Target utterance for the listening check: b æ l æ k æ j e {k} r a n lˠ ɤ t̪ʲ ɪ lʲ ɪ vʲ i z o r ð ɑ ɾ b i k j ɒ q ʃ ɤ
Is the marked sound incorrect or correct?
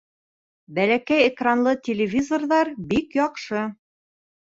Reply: correct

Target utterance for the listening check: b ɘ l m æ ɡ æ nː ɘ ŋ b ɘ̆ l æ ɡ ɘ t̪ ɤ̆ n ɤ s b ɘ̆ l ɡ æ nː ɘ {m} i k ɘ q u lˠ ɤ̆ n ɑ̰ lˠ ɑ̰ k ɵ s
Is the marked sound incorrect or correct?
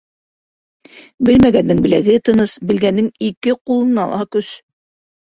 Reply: incorrect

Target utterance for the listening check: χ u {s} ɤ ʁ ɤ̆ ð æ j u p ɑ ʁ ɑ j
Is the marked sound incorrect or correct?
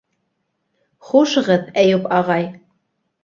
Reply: incorrect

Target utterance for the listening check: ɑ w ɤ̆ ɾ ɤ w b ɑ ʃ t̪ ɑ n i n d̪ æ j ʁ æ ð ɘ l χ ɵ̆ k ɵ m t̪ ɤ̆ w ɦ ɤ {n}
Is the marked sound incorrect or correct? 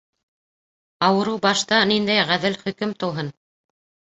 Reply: correct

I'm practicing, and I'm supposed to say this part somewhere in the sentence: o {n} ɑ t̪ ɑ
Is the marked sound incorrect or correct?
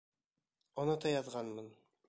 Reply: correct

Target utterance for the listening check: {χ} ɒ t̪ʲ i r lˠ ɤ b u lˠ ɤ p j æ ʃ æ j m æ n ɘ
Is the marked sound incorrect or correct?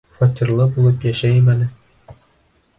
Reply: incorrect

